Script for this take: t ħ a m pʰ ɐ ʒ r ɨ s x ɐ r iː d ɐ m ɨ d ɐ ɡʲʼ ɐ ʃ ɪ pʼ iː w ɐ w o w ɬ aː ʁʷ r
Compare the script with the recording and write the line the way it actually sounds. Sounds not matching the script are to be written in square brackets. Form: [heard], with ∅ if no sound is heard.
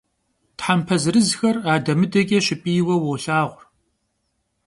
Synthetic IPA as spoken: t ħ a m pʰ ɐ [z] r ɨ [z] x ɐ r [aː] d ɐ m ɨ d ɐ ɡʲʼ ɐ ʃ ɪ pʼ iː w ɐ w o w ɬ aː ʁʷ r